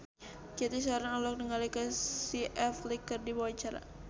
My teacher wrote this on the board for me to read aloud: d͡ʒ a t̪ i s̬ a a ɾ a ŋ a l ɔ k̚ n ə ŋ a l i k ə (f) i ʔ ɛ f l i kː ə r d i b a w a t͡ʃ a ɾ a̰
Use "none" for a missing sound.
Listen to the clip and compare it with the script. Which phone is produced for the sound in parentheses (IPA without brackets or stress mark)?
s